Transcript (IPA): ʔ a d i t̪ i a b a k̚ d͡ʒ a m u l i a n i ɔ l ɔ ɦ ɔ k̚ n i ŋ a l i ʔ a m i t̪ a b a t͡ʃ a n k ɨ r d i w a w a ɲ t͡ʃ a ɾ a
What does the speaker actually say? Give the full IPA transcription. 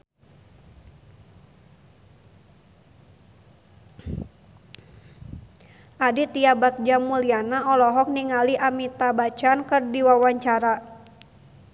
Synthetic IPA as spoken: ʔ a d i t̪ i a b a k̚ d͡ʒ a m u l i a n a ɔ l ɔ ɦ ɔ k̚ n i ŋ a l i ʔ a m i t̪ a b a t͡ʃ a n k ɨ r d i w a w a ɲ t͡ʃ a ɾ a

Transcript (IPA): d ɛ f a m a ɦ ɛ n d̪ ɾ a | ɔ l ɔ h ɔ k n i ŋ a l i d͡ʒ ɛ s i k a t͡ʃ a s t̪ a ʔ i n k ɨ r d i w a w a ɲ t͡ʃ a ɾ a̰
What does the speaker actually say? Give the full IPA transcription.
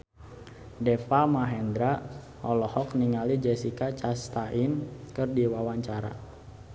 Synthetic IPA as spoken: d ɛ f a m a ɦ ɛ n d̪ ɾ a | ɔ l ɔ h ɔ k n i ŋ a l i d͡ʒ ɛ s i k a t͡ʃ a s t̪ a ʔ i n k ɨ r d i w a w a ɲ t͡ʃ a ɾ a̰

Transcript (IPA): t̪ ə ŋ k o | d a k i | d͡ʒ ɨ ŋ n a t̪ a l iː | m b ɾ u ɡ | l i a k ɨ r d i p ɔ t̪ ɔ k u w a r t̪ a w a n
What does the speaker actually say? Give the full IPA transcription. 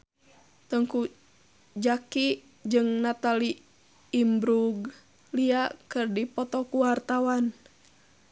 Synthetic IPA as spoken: t̪ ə ŋ k u | d͡ʒ a k i | d͡ʒ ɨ ŋ n a t̪ a l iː | m b ɾ u ɡ | l i a k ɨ r d i p ɔ t̪ ɔ k u w a r t̪ a w a n

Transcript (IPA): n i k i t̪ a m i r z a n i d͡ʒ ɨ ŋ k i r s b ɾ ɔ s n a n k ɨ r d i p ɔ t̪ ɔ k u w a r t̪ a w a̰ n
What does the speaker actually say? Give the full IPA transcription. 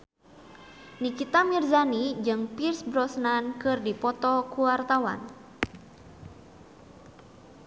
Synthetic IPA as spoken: n i k i t̪ a m i r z a n i d͡ʒ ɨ ŋ p i r s b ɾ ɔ s n a n k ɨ r d i p ɔ t̪ ɔ k u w a r t̪ a w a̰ n

